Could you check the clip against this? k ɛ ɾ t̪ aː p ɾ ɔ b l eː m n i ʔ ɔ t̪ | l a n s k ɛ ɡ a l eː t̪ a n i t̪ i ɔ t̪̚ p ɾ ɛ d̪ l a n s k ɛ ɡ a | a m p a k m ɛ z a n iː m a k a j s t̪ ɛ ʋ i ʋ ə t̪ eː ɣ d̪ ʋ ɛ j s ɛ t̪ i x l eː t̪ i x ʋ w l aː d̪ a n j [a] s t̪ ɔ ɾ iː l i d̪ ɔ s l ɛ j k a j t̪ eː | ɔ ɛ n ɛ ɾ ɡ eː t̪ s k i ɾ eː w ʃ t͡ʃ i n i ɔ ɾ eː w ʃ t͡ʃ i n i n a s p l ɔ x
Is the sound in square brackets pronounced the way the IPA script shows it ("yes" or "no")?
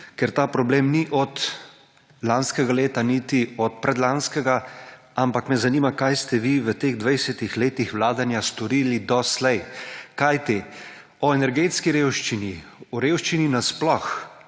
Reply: yes